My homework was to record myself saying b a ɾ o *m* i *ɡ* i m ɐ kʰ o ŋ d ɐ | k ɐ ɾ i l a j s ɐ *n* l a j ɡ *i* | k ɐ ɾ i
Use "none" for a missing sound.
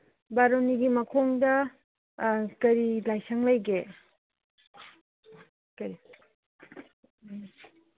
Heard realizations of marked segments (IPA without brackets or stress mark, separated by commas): n, ɡ, ŋ, e